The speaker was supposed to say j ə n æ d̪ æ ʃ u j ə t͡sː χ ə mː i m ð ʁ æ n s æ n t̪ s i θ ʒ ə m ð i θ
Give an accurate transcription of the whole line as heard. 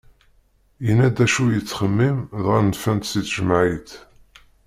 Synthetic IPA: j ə n æ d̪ æ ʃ u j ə t͡sː χ ə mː i m ð ʁ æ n f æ n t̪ s i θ ʒ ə m ʕ i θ